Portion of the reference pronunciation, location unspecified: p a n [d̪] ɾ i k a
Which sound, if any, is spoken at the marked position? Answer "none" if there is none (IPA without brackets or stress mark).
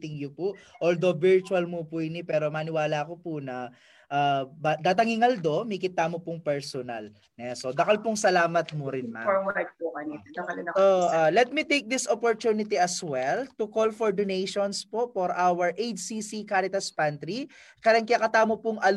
t̪